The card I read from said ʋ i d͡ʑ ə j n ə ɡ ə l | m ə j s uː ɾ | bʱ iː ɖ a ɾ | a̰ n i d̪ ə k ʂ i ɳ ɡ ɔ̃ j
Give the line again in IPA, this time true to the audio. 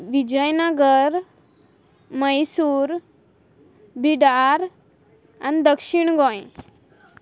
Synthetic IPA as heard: ʋ i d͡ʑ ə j n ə ɡ ə ɾ | m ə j s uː ɾ | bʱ i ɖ a ɾ | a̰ n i d̪ ə k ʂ i ɳ ɡ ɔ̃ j